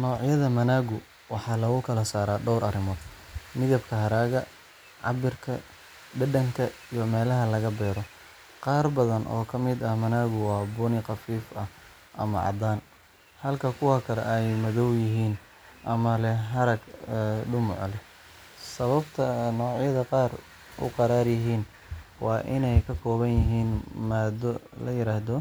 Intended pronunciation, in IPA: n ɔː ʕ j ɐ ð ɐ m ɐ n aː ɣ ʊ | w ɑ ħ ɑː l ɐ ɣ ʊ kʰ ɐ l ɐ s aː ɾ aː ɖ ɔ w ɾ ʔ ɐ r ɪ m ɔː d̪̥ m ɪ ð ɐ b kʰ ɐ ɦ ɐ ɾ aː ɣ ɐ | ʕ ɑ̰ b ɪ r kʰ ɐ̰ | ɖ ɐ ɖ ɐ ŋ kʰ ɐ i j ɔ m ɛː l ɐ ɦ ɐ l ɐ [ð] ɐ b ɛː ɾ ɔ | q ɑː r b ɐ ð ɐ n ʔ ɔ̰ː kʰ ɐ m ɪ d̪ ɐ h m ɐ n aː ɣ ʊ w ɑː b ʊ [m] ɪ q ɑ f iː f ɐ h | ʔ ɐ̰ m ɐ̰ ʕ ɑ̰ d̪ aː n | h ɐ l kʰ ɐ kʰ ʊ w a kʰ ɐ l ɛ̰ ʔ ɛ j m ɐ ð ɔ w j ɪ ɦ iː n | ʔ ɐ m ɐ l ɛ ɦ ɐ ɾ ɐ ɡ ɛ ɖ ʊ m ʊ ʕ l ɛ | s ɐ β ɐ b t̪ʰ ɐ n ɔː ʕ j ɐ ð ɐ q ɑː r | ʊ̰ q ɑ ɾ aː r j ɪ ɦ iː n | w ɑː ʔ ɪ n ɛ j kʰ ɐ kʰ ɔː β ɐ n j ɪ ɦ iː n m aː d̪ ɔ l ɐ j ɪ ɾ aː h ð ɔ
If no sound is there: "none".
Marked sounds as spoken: ɣ, n

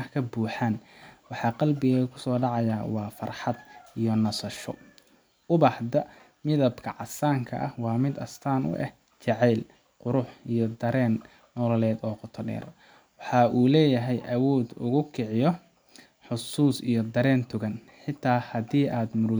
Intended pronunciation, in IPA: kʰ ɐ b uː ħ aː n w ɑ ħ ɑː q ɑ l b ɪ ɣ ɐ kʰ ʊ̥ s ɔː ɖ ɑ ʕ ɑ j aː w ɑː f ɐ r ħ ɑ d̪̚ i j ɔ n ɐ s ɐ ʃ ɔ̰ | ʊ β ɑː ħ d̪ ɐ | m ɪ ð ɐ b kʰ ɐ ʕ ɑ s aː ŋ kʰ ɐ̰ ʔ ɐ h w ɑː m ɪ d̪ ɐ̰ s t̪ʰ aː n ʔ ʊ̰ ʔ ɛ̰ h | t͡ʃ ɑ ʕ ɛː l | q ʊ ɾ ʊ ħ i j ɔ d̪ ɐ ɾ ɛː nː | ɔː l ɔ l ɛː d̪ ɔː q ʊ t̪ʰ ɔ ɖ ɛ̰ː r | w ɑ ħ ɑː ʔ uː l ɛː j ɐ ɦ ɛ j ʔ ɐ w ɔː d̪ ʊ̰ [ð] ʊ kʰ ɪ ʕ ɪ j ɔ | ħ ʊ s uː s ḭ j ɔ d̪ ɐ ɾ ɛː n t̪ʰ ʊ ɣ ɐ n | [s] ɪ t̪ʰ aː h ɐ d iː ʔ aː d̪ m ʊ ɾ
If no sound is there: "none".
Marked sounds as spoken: ɣ, ħ

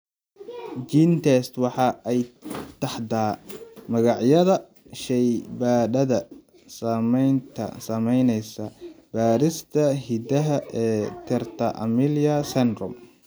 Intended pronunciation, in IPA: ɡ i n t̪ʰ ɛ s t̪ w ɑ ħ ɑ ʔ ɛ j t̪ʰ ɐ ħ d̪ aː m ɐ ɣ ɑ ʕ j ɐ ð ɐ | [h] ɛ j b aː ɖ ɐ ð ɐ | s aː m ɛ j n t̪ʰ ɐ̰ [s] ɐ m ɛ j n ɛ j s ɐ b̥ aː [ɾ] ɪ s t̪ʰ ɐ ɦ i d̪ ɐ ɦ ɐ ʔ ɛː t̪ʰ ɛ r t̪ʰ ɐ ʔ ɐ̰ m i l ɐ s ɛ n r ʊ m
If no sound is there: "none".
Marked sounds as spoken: ʃ, s, ɾ

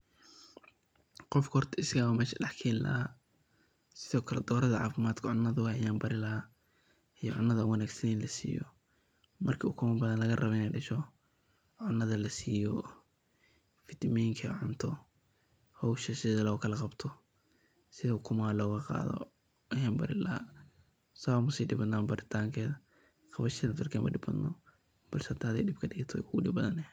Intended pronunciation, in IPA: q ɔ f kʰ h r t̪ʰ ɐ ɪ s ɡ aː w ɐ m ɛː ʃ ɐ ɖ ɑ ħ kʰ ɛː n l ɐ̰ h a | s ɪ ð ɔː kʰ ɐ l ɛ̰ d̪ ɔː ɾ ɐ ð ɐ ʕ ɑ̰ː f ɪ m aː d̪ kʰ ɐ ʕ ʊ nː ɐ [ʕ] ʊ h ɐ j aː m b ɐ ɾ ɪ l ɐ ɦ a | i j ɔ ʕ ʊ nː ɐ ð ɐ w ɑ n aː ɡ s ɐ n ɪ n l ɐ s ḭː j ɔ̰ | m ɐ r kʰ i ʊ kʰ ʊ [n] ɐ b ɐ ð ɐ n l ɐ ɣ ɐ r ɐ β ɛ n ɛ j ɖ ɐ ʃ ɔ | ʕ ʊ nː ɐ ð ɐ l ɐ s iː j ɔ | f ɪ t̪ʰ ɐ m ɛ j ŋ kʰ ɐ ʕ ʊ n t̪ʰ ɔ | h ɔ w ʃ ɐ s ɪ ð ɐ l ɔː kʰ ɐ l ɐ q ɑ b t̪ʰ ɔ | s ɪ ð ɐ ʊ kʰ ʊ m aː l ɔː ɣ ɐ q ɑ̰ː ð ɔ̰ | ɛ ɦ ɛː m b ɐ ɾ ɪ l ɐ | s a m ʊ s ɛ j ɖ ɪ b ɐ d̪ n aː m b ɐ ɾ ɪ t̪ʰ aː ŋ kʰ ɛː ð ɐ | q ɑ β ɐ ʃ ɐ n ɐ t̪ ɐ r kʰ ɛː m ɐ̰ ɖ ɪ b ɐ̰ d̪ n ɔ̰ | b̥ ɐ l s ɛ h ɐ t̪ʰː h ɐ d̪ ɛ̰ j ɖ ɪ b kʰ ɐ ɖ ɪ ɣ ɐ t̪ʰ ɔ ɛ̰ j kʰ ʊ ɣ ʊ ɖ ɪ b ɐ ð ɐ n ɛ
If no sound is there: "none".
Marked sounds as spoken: ð, m

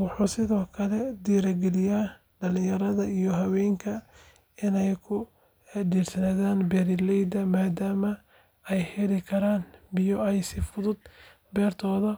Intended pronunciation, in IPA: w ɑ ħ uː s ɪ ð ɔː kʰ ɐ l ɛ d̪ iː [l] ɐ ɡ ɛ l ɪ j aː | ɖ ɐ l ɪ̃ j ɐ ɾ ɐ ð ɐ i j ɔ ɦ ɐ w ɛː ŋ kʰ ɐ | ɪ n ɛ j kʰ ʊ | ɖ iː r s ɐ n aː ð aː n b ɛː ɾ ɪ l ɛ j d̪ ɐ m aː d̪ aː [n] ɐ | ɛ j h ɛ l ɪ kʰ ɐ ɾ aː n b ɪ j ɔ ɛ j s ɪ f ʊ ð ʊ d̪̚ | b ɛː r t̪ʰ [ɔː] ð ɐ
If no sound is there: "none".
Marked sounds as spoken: ɾ, m, ɔː

